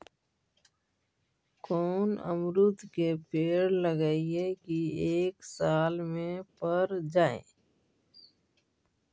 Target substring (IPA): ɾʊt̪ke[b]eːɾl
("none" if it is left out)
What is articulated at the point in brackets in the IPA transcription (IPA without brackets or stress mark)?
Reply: p